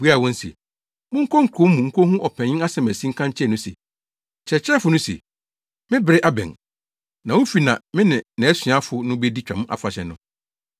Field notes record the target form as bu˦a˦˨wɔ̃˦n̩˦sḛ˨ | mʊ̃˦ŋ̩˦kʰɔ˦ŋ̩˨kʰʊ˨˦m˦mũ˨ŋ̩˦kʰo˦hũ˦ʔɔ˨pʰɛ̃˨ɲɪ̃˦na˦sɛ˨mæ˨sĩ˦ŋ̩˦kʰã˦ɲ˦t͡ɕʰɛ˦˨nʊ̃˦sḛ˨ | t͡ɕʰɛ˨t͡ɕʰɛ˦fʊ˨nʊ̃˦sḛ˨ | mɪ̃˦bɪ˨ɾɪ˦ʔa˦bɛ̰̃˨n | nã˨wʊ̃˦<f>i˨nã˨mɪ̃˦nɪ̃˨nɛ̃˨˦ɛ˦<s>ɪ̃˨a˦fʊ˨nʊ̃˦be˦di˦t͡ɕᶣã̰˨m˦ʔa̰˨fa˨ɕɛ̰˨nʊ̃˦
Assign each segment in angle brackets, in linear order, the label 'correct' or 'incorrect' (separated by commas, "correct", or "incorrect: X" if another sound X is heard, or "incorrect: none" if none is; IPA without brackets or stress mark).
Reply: correct, correct